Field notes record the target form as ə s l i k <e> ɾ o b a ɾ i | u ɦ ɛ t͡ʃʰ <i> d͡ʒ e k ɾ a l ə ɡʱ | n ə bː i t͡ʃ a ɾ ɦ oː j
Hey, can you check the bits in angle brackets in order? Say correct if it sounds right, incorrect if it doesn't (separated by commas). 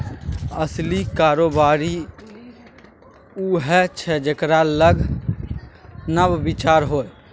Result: incorrect, incorrect